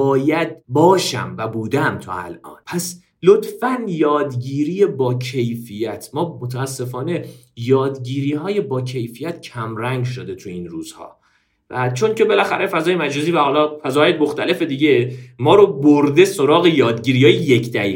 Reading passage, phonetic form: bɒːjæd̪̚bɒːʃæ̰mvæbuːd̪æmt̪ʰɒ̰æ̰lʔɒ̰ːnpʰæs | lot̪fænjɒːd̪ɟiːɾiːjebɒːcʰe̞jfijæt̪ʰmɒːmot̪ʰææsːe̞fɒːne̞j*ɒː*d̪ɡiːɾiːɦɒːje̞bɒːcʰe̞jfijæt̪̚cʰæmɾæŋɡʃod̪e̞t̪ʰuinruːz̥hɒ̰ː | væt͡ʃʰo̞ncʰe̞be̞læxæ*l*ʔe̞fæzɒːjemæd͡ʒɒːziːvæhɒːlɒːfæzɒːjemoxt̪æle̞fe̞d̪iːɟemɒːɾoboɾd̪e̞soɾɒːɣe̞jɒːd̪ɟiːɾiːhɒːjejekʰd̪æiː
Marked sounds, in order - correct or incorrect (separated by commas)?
correct, incorrect